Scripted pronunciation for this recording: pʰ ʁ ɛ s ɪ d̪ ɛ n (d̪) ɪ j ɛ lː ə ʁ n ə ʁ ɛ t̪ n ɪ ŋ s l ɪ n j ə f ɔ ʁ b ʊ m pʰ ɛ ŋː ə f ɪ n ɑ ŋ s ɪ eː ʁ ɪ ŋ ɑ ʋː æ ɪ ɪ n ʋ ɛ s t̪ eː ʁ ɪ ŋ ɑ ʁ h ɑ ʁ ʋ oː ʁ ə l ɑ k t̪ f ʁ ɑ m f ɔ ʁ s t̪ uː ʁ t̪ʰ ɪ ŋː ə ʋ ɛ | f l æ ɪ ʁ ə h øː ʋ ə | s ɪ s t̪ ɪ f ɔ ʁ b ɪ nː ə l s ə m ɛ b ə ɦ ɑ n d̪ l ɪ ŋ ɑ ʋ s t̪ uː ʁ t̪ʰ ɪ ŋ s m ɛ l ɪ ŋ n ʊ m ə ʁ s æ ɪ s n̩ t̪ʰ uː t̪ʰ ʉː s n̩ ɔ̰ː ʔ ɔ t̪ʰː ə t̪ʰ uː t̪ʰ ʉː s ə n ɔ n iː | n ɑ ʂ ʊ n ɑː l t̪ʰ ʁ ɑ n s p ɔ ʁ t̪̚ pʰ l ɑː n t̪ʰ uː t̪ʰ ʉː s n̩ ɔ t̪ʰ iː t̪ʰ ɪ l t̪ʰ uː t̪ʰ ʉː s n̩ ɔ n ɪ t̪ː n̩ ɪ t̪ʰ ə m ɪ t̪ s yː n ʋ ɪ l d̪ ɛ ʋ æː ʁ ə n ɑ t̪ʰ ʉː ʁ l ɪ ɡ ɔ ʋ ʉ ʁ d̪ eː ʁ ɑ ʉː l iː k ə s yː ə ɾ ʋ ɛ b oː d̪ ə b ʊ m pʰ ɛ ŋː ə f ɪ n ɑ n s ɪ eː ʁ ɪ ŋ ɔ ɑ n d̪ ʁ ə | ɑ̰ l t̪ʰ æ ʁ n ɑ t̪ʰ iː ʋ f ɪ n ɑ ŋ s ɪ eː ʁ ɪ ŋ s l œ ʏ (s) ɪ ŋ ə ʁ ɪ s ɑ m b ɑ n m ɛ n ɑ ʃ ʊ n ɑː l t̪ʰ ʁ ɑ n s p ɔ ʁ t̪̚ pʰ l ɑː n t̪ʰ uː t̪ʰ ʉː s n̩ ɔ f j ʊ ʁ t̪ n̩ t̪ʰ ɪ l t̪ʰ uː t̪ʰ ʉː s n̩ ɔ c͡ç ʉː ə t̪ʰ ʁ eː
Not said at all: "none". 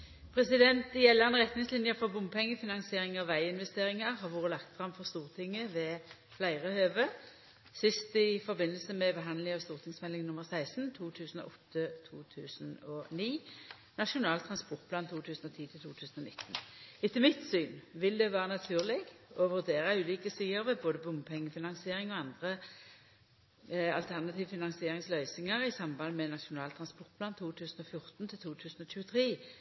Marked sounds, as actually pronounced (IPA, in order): t̪, s

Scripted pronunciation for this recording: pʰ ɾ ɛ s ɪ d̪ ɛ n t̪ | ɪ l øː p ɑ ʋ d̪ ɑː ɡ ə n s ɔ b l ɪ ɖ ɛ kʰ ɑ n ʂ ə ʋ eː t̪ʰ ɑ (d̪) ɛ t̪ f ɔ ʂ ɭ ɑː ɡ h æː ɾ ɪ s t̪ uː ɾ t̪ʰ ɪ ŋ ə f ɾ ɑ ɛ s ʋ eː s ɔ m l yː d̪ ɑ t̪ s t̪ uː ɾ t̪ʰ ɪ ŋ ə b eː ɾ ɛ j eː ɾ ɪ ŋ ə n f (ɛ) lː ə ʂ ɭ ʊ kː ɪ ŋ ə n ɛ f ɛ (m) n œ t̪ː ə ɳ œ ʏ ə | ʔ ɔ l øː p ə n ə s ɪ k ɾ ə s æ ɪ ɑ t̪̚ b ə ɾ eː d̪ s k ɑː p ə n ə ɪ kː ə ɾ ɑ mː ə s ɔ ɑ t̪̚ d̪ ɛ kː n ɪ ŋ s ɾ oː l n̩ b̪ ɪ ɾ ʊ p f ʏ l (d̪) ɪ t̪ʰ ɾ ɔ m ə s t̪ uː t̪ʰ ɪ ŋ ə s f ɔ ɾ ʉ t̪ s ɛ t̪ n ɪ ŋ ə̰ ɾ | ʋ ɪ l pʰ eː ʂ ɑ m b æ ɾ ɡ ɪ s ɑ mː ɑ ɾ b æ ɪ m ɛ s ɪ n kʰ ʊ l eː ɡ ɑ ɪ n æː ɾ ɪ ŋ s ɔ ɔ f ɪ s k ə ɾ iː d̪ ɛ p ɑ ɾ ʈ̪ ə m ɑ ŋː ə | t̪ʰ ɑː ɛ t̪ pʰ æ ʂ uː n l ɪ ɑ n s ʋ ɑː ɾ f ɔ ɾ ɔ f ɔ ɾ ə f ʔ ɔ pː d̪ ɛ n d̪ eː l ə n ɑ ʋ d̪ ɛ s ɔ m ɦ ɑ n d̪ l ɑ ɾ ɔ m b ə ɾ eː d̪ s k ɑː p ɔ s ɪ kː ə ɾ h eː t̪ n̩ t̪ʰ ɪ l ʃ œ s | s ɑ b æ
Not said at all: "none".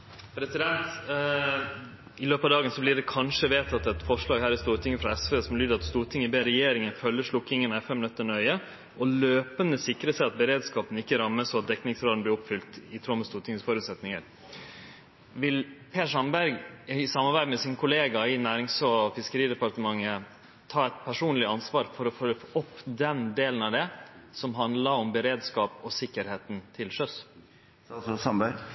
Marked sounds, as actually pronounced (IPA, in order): t̪, œ, m, t̪

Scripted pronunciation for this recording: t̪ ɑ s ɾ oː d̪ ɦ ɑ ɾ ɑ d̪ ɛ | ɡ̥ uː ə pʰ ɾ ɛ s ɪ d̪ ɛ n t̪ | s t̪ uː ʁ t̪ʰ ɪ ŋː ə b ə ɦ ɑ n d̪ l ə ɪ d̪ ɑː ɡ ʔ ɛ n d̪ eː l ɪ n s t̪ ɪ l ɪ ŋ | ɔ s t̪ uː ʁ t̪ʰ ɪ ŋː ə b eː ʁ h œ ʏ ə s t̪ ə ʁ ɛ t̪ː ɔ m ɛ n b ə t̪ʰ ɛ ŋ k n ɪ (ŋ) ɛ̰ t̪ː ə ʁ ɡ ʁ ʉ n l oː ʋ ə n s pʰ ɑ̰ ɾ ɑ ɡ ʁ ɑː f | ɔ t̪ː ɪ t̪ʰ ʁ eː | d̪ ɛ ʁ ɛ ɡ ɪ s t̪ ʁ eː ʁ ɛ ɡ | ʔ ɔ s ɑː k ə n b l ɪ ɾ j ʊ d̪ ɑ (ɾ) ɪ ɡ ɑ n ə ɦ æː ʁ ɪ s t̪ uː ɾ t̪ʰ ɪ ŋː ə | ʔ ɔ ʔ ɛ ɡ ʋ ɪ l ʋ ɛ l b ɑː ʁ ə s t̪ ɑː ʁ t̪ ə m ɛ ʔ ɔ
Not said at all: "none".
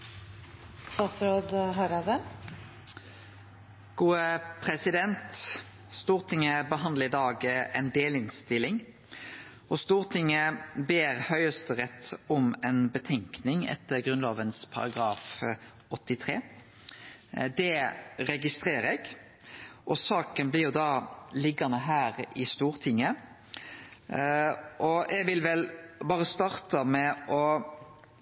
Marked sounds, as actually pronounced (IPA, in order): ŋ, l

